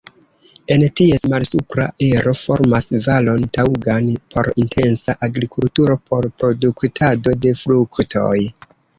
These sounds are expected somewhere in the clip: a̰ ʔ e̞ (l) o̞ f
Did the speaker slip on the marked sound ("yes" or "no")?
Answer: yes